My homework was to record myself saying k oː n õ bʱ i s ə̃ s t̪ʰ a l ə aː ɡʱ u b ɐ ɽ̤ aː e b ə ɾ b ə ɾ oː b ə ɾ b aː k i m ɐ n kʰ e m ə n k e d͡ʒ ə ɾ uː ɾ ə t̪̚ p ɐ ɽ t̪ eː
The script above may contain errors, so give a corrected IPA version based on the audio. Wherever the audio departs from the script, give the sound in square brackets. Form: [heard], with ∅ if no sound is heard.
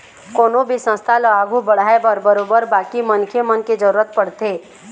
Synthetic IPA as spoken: k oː n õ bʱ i s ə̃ s t̪ʰ a l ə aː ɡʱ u b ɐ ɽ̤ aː e b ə ɾ b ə ɾ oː b ə ɾ b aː k i m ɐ n kʰ e m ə n k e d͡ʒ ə ɾ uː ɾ ə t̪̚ p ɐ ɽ t̪ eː